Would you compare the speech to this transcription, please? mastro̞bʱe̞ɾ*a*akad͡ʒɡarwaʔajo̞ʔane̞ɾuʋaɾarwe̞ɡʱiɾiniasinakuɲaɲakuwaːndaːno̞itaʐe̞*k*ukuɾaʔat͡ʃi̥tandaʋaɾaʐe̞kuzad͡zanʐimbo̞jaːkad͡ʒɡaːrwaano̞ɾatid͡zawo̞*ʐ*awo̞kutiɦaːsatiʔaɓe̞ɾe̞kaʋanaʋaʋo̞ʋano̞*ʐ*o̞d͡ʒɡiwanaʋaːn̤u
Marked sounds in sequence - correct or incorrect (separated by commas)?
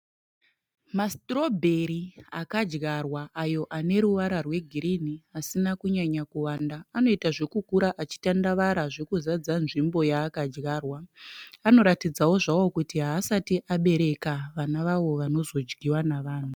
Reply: incorrect, correct, correct, incorrect